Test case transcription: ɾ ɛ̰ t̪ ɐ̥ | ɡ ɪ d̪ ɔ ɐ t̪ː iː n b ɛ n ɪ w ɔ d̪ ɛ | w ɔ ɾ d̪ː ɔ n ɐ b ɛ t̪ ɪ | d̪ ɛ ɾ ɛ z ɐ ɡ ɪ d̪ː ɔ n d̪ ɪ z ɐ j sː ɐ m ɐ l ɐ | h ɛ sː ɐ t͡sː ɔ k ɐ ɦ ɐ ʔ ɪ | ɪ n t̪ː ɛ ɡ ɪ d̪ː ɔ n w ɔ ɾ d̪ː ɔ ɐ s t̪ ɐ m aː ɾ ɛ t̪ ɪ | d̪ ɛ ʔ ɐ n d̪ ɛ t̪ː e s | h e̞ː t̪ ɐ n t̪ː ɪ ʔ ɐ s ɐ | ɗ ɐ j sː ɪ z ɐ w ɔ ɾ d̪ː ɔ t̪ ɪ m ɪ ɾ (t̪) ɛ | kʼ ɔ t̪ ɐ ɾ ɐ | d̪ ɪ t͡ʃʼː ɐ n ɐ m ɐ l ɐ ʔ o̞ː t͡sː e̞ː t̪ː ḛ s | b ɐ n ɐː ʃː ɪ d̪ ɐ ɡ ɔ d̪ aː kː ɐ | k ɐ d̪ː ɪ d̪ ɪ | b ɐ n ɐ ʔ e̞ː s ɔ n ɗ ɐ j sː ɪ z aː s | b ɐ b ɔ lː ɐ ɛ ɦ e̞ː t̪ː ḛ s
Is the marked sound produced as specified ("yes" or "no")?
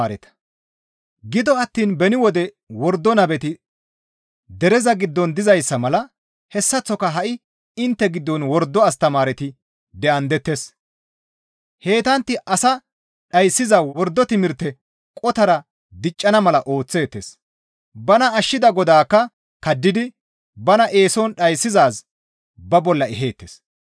yes